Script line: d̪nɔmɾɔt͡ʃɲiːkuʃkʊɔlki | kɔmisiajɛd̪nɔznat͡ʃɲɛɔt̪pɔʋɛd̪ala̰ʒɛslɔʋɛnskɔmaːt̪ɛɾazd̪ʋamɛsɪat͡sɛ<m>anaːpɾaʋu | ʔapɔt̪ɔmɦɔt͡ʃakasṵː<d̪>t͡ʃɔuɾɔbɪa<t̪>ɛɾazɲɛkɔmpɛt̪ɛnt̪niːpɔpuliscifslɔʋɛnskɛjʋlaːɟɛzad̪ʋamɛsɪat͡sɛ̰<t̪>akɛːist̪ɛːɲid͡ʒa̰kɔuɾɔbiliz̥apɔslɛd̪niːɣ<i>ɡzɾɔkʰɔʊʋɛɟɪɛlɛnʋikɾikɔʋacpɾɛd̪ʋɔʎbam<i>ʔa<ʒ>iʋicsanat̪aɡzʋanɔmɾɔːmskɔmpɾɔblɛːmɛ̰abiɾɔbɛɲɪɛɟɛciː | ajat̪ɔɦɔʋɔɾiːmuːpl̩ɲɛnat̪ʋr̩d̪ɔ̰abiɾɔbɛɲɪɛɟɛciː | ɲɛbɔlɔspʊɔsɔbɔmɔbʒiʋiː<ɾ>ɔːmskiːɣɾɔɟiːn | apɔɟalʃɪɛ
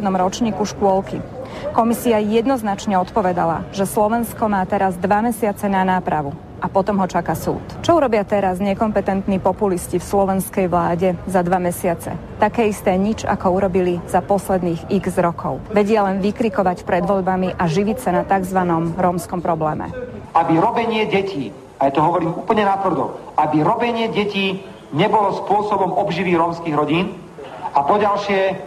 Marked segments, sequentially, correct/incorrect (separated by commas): incorrect, incorrect, correct, correct, correct, correct, correct, correct